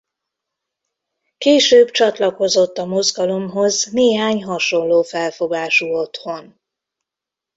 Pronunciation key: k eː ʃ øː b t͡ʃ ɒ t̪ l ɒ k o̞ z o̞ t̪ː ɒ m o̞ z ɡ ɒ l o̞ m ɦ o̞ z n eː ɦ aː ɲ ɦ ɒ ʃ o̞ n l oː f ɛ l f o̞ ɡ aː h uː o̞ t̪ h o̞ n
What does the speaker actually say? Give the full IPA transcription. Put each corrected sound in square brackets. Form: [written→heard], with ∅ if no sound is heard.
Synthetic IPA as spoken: k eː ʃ øː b t͡ʃ ɒ t̪ l ɒ k o̞ z o̞ t̪ː ɒ m o̞ z ɡ ɒ l o̞ m ɦ o̞ z n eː ɦ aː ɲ ɦ ɒ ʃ o̞ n l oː f ɛ l f o̞ ɡ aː [h→ʃ] uː o̞ t̪ h o̞ n